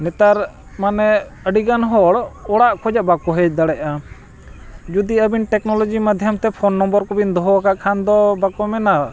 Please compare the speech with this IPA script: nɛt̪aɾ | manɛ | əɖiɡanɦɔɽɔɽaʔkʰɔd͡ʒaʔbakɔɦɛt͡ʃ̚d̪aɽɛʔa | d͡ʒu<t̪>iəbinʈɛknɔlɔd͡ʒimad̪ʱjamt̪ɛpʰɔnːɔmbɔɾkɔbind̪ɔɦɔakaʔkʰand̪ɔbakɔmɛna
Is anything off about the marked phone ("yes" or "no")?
yes